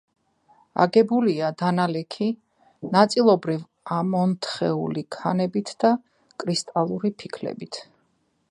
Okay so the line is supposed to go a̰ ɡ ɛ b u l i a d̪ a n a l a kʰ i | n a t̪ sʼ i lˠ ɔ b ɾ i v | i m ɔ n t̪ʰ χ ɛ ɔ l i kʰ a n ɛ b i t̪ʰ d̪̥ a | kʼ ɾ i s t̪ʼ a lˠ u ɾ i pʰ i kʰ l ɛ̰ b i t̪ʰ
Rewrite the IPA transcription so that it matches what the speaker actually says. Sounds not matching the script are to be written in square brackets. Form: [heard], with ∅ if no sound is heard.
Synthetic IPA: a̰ ɡ ɛ b u l i a d̪ a n a l [ɛ] kʰ i | n a t̪ sʼ i lˠ ɔ b ɾ i v | [a] m ɔ n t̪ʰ χ ɛ [u] l i kʰ a n ɛ b i t̪ʰ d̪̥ a | kʼ ɾ i s t̪ʼ a lˠ u ɾ i pʰ i kʰ l ɛ̰ b i t̪ʰ